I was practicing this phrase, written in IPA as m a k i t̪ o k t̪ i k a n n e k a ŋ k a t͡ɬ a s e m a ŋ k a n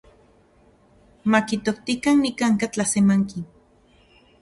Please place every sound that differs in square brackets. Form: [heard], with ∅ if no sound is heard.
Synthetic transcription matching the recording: m a k i t̪ o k t̪ i k a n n [i] k a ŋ k a t͡ɬ a s e m a ŋ k [i] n

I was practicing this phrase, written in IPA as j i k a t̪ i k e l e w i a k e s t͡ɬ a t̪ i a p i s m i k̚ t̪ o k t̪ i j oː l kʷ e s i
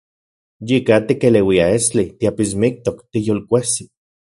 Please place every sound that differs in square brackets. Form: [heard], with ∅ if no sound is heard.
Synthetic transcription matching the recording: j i k a t̪ i k e l e w i a [∅] e s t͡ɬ [i] t̪ i a p i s m i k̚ t̪ o k t̪ i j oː l kʷ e s i

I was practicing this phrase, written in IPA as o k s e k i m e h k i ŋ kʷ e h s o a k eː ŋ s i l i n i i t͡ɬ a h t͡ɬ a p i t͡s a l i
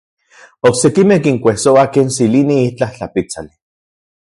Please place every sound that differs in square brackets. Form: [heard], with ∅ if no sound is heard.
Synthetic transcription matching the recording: o k s e k i m e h k i ŋ kʷ e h s o a k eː [n] s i l i n i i t͡ɬ a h t͡ɬ a p i t͡s a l i

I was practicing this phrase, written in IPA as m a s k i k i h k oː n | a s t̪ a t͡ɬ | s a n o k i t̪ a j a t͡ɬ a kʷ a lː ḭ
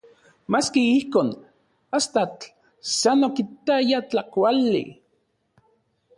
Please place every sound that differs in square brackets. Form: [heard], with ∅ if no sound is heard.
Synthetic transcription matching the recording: m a s k i [∅] i h k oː n | a s t̪ a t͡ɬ | s a n o k i t̪ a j a t͡ɬ a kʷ a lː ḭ

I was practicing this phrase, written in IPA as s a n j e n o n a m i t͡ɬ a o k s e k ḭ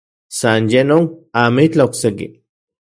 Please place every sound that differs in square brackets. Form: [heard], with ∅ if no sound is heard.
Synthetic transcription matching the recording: s a n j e n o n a m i t͡ɬ a o k s e k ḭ

